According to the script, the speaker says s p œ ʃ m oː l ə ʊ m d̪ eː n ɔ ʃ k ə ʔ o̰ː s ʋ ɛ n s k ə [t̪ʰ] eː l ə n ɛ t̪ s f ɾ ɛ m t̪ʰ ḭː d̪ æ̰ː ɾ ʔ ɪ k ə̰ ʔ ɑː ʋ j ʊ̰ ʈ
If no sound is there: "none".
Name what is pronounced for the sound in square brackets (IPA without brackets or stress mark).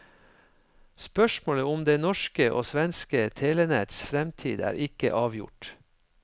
t̪ʰ